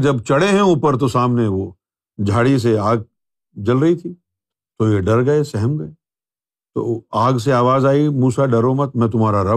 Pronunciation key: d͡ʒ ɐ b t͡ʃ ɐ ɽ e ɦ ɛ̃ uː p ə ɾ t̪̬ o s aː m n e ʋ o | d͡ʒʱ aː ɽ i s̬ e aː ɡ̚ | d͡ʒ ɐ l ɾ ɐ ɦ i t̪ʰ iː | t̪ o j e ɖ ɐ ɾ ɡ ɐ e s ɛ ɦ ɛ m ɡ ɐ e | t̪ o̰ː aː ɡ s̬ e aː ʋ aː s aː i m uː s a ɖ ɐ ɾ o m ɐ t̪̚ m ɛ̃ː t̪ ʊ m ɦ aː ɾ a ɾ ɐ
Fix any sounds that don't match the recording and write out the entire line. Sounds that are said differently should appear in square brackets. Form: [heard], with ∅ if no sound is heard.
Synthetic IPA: d͡ʒ ɐ b t͡ʃ ɐ ɽ e ɦ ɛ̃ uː p ə ɾ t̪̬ o s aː m n e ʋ o | d͡ʒʱ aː ɽ i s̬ e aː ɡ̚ | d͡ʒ ɐ l ɾ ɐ ɦ i t̪ʰ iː | t̪ o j e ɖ ɐ ɾ ɡ ɐ e s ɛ ɦ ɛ m ɡ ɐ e | t̪ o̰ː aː ɡ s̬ e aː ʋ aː [z] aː i m uː s a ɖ ɐ ɾ o m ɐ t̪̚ m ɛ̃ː t̪ ʊ m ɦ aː ɾ a ɾ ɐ